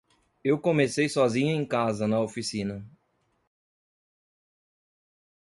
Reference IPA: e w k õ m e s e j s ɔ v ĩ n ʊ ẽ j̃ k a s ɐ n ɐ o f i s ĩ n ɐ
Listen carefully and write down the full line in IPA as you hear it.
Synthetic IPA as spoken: e w k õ m e s e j s ɔ z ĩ ɲ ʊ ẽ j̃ k a z ɐ n ɐ o f i s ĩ n ɐ